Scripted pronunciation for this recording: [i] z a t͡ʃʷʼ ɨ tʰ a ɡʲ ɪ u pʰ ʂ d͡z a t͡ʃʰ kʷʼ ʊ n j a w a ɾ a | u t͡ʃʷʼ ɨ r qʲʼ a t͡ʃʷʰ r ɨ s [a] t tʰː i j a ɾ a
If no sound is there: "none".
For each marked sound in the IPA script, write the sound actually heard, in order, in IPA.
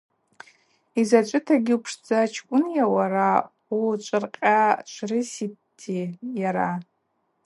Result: i, i

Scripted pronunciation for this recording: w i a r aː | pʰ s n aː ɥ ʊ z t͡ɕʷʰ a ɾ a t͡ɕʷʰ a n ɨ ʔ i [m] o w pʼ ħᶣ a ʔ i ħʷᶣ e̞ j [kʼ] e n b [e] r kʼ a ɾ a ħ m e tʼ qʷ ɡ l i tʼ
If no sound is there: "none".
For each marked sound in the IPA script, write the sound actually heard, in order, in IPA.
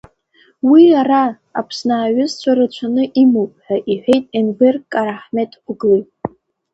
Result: m, tʼ, e

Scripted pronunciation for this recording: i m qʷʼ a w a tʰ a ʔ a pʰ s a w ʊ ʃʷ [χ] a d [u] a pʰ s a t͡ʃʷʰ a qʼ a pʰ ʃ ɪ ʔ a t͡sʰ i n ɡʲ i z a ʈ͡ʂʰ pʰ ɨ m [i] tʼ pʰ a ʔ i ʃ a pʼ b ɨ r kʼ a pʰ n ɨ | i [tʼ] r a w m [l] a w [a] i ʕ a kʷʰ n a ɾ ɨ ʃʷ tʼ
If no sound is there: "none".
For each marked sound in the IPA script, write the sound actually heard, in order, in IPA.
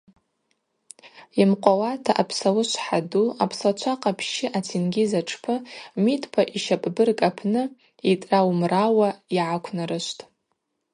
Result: ħ, u, i, tʼ, r, a

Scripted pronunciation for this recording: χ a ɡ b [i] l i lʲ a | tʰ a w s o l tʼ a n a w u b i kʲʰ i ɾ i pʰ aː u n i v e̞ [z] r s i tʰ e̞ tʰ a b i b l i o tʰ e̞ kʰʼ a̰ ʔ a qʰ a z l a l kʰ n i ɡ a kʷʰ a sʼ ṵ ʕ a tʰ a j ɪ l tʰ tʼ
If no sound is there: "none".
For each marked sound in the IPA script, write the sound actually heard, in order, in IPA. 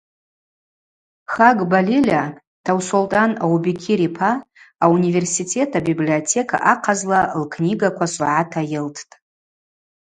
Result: a, none

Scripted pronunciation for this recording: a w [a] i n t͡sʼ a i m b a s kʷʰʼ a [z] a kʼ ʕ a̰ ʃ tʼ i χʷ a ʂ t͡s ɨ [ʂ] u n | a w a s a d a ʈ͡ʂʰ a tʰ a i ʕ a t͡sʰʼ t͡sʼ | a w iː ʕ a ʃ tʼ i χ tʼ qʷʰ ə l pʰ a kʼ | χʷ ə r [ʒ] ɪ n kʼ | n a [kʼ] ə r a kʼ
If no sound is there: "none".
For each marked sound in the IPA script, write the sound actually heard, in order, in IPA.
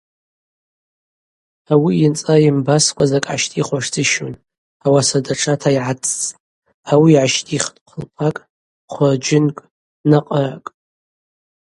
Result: i, z, ʃ, d͡ʒ, qʼ

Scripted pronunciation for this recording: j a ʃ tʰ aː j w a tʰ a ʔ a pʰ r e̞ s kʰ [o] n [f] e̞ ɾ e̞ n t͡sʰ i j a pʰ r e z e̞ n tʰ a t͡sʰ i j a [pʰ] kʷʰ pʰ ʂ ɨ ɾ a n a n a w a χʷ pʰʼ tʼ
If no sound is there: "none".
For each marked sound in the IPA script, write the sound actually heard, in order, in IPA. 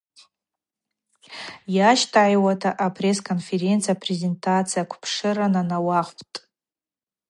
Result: o, f, none

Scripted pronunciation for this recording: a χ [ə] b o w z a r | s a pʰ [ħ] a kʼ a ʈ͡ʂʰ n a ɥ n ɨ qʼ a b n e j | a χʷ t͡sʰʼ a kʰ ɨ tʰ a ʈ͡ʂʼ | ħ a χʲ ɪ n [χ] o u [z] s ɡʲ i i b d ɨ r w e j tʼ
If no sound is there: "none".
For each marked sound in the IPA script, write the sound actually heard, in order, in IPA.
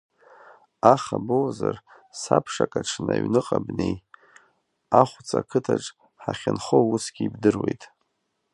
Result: a, ʂ, χ, none

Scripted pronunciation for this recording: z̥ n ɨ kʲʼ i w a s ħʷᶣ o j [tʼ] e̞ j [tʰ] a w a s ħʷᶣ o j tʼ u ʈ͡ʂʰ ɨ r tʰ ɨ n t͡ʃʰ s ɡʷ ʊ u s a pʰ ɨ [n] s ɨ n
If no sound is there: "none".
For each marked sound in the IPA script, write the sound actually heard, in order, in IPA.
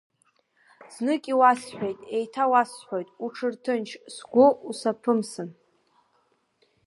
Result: tʼ, tʰ, m

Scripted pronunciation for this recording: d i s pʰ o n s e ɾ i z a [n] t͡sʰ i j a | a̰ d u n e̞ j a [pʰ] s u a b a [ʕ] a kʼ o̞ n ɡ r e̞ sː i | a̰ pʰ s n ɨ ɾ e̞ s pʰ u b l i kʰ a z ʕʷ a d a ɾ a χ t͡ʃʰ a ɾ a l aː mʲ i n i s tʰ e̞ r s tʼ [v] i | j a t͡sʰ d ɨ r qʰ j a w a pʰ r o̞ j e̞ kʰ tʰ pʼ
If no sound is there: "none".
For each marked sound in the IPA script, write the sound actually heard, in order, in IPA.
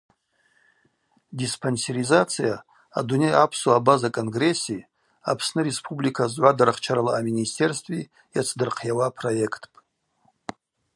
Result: none, pʰ, z, v

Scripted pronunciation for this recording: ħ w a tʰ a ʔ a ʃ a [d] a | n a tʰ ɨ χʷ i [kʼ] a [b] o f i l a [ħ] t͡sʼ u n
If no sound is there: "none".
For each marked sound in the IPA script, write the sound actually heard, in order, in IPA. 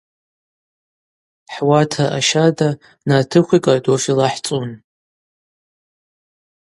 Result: d, kʼ, d, ħ

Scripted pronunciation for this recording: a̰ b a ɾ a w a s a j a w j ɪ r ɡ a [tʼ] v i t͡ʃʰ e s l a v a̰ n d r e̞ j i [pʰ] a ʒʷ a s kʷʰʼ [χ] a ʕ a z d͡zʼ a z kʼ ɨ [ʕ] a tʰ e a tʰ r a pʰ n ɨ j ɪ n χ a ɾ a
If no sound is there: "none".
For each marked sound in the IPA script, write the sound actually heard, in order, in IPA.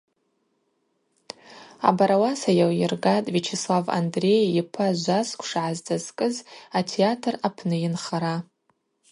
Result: tʼ, pʰ, ʂ, z

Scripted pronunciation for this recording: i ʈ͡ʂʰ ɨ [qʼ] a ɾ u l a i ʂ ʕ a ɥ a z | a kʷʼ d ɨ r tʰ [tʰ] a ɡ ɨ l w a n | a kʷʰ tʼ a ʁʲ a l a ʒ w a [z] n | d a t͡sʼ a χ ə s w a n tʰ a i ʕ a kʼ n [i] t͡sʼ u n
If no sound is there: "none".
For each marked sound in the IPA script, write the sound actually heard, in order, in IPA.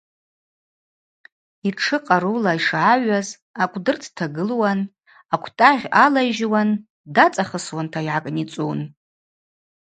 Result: qʼ, tʰ, none, i

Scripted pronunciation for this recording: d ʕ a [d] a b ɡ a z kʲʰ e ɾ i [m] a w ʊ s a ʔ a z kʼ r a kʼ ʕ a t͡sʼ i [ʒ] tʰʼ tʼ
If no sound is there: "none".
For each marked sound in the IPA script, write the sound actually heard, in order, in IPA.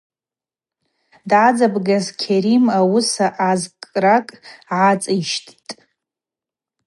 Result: d͡z, m, ʃ

